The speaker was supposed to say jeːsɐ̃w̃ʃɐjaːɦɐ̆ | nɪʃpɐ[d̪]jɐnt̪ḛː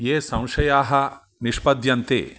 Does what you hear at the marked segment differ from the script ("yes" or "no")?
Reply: no